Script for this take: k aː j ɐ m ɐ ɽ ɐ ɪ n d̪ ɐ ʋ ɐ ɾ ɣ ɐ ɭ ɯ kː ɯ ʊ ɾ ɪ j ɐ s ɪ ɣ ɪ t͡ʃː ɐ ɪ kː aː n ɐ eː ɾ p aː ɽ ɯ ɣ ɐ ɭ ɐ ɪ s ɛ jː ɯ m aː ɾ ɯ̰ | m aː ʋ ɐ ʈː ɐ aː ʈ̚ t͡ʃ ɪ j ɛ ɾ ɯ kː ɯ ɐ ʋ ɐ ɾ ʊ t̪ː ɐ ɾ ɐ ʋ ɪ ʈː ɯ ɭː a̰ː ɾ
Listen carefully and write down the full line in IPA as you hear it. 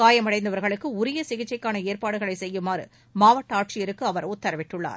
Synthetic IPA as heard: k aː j ɐ m ɐ ɽ ɐ ɪ n d̪ ɐ ʋ ɐ ɾ ɣ ɐ ɭ ɯ kː ɯ ʊ ɾ ɪ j ɐ s ɪ ɣ ɪ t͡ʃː ɐ ɪ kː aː n ɐ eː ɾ p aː ɽ ɯ ɣ ɐ ɭ ɐ ɪ s ɛ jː ɯ m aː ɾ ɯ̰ | m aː ʋ ɐ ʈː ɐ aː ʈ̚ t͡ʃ ɪ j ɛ ɾ ɯ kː ɯ ɐ ʋ ɐ ɾ ʊ t̪ː ɐ ɾ ɐ ʋ ɪ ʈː ɯ ɭː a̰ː ɾ